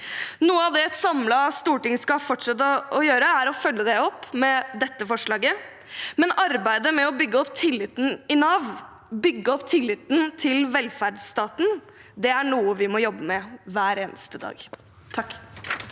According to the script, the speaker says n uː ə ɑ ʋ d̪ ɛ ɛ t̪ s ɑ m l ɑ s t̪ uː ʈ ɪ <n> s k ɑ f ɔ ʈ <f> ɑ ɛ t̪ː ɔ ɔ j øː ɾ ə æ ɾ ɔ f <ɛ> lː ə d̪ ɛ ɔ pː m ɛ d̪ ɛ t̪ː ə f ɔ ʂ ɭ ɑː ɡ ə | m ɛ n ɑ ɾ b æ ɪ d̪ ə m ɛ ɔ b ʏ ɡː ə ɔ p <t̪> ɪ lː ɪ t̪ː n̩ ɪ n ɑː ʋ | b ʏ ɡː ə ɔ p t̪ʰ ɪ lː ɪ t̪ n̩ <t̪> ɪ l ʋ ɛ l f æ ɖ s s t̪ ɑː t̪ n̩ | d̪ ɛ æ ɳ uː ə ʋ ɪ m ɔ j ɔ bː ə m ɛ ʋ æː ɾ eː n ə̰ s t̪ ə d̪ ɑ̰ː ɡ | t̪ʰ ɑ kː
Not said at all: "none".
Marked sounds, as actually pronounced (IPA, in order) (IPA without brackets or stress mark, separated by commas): ŋ, ʂ, œ, t̪ʰ, t̪ʰ